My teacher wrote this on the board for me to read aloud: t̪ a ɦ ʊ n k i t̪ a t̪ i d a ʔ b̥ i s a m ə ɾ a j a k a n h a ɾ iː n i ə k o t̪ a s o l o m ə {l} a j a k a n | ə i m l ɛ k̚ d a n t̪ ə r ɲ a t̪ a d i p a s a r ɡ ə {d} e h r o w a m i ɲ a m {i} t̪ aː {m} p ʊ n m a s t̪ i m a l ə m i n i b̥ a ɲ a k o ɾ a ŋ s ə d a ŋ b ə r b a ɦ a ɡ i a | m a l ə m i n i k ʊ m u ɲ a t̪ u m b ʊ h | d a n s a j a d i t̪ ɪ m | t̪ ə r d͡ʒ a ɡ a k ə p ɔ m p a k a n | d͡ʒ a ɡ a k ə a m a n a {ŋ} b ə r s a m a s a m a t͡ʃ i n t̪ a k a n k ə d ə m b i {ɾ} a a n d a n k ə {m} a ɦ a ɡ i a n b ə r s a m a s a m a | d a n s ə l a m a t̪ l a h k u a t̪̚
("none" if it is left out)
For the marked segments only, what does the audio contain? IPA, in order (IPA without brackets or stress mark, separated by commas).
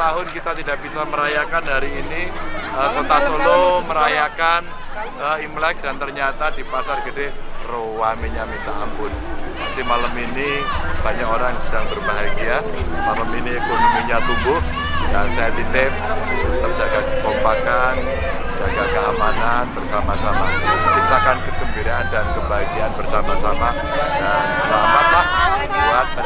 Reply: ɾ, d, i, m, n, ɾ, b